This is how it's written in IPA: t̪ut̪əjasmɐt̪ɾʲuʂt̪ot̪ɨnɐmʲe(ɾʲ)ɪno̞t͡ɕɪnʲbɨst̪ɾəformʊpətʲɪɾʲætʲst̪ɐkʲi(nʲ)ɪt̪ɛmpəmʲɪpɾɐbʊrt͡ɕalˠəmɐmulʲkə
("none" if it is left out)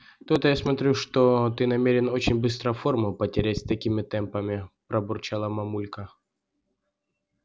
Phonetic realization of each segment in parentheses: ɾʲ, mʲ

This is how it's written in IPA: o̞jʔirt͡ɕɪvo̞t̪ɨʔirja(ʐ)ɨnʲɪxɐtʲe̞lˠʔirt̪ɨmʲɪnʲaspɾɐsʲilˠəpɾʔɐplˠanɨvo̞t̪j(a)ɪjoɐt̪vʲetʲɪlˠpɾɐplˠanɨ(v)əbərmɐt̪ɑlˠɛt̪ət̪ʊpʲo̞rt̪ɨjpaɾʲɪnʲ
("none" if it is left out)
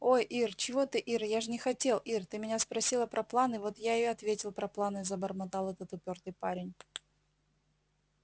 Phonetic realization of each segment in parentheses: ʐ, a, z

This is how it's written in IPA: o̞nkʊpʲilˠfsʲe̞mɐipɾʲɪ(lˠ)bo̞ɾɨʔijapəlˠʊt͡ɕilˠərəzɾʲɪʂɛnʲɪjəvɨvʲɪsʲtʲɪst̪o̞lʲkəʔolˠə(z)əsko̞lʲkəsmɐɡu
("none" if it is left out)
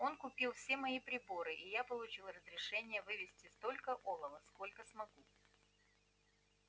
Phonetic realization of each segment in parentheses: none, v

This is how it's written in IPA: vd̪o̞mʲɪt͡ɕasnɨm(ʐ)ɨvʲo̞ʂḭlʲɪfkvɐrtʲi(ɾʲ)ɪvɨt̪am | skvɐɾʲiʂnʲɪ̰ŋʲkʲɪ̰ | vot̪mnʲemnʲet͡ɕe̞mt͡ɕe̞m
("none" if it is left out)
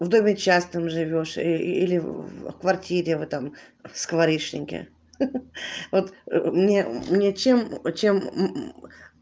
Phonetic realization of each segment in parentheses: ʐ, ɾʲ

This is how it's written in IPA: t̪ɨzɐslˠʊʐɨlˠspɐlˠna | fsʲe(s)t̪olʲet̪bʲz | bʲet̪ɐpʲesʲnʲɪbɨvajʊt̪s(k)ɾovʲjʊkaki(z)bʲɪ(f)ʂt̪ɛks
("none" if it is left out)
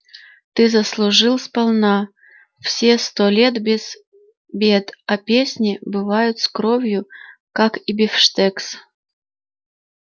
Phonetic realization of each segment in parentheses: s, k, none, f

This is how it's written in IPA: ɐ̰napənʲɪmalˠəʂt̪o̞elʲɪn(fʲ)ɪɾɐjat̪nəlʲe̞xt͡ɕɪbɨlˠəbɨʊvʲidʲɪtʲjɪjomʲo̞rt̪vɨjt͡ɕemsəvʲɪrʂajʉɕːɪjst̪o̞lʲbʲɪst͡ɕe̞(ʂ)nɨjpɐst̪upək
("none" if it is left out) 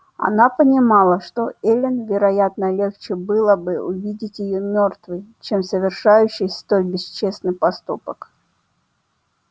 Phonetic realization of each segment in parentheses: vʲ, s

